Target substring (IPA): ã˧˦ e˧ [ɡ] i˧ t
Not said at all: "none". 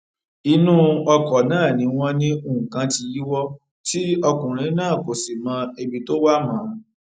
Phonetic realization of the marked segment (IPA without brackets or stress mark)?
b